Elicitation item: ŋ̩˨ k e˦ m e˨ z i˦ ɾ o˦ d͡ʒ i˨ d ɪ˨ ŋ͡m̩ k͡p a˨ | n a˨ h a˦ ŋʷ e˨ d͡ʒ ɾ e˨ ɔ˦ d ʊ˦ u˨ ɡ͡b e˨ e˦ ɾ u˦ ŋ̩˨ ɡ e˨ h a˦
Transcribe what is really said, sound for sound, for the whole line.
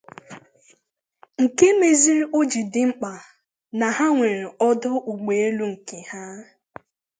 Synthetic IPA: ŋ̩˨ k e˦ m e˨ z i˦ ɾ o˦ d͡ʒ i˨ d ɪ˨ ŋ͡m̩ k͡p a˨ | n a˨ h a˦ ŋʷ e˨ ɾ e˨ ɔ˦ d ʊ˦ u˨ ɡ͡b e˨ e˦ l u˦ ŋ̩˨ k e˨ h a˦